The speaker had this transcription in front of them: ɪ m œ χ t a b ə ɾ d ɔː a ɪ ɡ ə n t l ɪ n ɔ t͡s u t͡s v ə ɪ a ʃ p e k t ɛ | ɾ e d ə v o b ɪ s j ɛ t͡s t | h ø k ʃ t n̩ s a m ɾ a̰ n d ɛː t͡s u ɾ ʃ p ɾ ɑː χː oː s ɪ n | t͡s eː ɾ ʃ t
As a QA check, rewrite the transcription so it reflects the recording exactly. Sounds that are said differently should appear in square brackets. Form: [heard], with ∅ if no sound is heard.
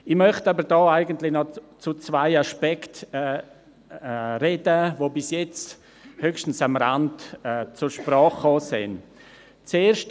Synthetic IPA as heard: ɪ m œ χ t a b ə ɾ d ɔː a ɪ ɡ ə n t l ɪ n ɔ t͡s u t͡s v [a] ɪ a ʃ p [ɛ] k t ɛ | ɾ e d ə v o b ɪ s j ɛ t͡s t | h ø k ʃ t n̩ s a m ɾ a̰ n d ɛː t͡s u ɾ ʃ p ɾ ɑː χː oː s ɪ n | t͡s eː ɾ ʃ t